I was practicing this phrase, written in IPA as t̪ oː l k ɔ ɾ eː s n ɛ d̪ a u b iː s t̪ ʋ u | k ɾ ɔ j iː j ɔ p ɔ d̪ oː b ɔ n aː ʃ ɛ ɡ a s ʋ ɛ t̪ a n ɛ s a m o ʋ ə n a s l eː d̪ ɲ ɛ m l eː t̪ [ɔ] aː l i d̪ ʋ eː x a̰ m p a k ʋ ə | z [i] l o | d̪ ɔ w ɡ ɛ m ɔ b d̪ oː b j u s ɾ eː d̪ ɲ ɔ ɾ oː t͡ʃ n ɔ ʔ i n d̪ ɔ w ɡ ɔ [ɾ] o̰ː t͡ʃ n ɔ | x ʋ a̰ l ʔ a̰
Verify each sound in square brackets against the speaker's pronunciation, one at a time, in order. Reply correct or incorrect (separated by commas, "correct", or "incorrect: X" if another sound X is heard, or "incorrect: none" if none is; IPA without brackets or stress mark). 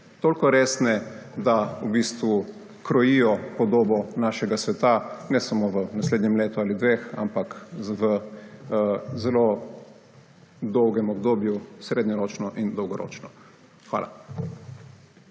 incorrect: u, incorrect: ɛ, correct